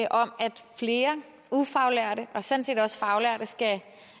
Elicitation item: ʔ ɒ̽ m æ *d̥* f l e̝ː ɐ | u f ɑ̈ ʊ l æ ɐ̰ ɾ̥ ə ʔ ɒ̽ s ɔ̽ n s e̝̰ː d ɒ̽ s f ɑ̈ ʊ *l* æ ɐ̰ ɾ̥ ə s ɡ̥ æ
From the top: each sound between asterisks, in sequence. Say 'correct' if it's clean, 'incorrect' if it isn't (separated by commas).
correct, correct